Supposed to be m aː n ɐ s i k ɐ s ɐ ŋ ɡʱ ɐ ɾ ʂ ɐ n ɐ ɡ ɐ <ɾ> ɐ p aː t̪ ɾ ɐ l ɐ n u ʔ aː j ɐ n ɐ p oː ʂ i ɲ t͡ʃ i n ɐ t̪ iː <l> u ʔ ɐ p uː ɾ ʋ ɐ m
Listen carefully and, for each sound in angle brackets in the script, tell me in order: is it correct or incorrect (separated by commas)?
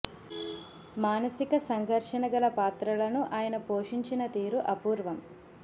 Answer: incorrect, incorrect